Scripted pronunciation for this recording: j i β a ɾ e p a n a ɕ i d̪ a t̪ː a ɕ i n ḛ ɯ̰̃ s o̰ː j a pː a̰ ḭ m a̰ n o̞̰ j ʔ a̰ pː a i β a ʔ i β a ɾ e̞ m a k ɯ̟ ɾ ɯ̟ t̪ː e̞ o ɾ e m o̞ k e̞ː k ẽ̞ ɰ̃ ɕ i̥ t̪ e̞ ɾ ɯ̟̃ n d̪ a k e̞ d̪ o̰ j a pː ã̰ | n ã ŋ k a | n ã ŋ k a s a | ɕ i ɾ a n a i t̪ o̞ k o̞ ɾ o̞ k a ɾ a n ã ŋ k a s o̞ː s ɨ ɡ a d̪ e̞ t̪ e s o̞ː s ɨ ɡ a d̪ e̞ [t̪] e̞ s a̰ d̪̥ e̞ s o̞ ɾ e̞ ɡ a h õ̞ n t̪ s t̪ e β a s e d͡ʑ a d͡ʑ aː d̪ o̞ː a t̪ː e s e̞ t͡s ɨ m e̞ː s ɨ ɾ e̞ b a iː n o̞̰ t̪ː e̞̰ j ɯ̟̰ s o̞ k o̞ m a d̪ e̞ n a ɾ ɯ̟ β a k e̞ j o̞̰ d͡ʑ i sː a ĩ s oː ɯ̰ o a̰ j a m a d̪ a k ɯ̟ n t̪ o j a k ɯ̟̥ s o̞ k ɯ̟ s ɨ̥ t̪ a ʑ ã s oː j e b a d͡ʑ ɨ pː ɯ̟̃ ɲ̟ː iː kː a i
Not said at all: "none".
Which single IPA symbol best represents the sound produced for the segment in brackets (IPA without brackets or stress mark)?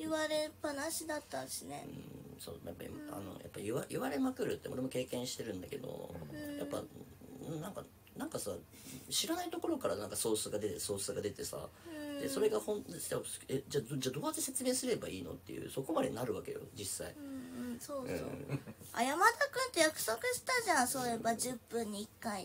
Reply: t̪